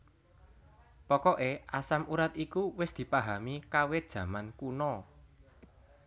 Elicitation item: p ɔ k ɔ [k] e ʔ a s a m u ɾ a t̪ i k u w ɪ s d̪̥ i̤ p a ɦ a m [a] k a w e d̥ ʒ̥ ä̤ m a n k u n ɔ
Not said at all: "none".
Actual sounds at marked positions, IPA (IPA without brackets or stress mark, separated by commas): ʔ, i